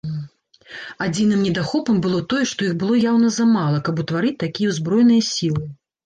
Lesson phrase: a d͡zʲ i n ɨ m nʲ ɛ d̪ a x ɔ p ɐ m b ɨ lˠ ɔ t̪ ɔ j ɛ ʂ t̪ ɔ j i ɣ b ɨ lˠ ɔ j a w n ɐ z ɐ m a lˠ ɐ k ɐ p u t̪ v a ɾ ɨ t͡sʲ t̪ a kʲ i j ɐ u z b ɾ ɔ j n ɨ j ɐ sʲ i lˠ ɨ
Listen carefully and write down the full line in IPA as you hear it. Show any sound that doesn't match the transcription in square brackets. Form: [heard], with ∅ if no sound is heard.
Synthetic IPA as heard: a d͡zʲ i n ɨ m nʲ ɛ d̪ a x ɔ p ɐ m b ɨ lˠ ɔ t̪ ɔ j ɛ ʂ t̪ ɔ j i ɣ b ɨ lˠ ɔ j a w n ɐ z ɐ m a lˠ ɐ k ɐ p u t̪ v a ɾ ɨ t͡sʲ t̪ a kʲ i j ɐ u z b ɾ ɔ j n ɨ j ɐ sʲ i lˠ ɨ